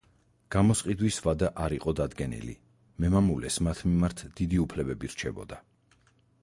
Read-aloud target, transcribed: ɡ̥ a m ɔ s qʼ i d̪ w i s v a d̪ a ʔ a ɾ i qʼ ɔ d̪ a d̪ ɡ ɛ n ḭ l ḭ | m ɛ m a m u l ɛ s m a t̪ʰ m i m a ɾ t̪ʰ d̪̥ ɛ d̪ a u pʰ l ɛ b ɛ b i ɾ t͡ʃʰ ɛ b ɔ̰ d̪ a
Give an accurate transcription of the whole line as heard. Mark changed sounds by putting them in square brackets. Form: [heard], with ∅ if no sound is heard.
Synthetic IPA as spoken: ɡ̥ a m ɔ s qʼ i d̪ w i s v a d̪ a ʔ a ɾ i qʼ ɔ d̪ a d̪ ɡ ɛ n ḭ l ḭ | m ɛ m a m u l ɛ s m a t̪ʰ m i m a ɾ t̪ʰ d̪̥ [i] d̪ [i] u pʰ l ɛ b ɛ b i ɾ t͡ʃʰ ɛ b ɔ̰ d̪ a